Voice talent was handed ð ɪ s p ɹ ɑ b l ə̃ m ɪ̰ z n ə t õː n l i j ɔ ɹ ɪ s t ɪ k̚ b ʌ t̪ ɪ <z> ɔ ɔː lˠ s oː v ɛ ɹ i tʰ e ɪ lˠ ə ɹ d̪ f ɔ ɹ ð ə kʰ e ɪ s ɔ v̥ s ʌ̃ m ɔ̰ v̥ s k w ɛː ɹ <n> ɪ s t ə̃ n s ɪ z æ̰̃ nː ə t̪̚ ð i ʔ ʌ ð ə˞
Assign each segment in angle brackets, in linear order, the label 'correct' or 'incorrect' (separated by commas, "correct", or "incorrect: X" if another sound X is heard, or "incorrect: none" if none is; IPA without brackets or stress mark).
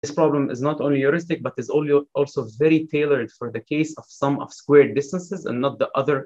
correct, incorrect: d